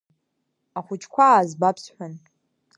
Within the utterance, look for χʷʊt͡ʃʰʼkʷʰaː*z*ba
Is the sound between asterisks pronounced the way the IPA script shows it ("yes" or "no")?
yes